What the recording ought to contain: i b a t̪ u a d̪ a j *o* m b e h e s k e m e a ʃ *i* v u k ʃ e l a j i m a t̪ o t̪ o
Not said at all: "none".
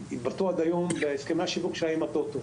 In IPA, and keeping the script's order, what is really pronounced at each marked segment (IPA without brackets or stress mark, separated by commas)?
o, i